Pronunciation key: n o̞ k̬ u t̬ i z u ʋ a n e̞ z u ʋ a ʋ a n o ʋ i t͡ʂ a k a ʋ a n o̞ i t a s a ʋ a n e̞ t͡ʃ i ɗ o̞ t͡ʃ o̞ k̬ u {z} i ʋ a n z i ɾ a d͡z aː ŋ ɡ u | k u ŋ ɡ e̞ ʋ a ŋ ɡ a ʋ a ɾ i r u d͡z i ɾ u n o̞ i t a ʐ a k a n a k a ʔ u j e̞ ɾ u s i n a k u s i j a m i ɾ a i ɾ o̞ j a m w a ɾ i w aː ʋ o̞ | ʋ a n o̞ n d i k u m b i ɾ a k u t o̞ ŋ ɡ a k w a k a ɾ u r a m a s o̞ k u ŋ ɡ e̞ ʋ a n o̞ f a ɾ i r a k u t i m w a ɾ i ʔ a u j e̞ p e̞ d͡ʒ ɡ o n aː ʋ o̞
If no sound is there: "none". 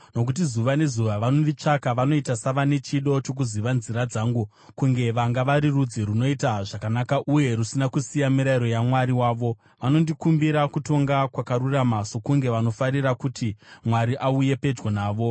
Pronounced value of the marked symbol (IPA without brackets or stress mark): z